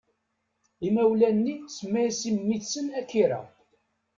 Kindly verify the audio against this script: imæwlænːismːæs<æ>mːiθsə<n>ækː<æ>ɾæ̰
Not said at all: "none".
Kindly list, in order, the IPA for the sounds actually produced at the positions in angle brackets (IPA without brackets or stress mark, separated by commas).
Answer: i, n, i